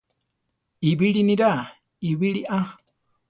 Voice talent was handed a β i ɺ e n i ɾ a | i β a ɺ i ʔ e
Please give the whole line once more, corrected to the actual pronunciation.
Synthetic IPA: i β i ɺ i n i ɾ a | i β i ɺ i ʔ a